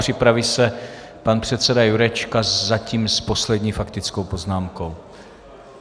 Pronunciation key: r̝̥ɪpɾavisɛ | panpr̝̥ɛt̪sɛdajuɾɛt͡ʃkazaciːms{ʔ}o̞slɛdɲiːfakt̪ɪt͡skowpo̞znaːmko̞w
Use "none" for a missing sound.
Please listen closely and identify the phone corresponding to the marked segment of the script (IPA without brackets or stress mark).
p